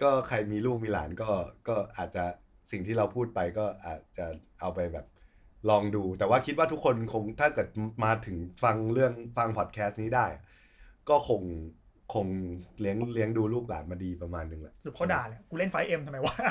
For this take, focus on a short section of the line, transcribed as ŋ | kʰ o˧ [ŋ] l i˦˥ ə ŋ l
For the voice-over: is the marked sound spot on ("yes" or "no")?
yes